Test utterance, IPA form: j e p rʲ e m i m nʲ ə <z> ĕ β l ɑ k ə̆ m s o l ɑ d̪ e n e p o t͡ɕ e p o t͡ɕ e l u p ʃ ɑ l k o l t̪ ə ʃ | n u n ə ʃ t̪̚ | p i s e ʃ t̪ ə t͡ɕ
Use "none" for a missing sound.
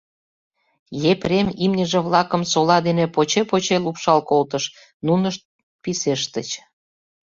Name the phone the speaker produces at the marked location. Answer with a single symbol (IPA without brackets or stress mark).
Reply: ʒ